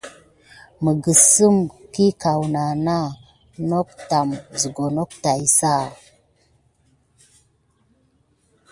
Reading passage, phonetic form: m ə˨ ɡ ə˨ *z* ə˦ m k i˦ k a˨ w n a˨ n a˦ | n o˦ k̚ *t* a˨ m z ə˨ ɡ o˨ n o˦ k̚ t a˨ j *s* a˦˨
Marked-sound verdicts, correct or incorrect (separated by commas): incorrect, correct, correct